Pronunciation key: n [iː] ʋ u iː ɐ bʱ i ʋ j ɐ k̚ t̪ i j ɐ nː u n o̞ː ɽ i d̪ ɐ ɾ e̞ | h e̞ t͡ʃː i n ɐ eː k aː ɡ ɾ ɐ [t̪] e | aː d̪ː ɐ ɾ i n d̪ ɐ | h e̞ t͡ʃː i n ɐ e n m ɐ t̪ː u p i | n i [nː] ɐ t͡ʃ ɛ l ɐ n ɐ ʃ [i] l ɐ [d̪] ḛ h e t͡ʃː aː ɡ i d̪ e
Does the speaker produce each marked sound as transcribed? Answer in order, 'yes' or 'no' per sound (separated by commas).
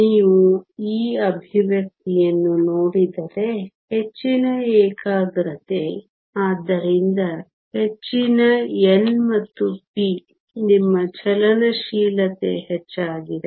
yes, yes, no, no, no